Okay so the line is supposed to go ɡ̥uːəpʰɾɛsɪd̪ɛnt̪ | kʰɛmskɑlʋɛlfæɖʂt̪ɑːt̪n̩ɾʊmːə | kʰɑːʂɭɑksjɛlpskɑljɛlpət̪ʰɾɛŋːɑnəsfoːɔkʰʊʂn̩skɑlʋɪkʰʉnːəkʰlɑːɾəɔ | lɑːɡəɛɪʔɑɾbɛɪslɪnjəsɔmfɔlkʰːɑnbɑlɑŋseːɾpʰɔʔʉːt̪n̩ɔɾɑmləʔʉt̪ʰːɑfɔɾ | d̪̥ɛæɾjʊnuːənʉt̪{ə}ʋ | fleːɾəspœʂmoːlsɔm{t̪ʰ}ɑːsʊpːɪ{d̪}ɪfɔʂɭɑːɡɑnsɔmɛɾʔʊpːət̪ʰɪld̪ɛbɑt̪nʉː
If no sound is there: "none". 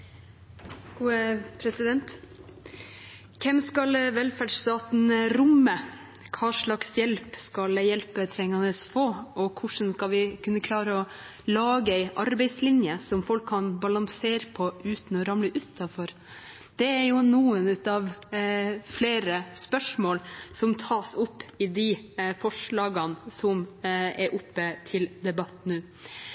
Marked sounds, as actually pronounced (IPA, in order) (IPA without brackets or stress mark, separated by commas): ɑ, t̪ʰ, d̪